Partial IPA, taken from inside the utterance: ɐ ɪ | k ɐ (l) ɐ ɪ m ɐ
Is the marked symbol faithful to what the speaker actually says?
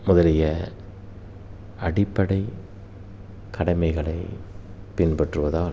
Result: no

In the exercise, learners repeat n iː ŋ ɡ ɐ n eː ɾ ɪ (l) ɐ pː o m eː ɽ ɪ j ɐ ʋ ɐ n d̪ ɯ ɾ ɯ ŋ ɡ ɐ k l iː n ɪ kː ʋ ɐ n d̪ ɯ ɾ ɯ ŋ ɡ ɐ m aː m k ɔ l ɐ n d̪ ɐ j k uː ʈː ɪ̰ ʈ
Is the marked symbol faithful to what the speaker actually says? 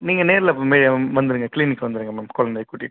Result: yes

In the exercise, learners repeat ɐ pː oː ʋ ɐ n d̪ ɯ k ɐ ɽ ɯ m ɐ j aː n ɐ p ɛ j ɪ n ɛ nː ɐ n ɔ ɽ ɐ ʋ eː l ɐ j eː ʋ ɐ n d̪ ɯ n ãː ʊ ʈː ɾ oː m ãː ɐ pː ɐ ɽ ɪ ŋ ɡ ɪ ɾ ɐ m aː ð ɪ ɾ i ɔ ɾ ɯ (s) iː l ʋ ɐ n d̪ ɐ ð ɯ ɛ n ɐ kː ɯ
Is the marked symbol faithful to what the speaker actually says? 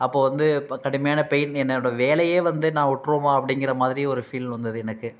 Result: no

